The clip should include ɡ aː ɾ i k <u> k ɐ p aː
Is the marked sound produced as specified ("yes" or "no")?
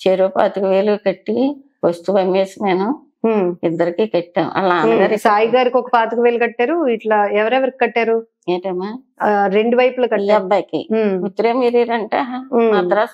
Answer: no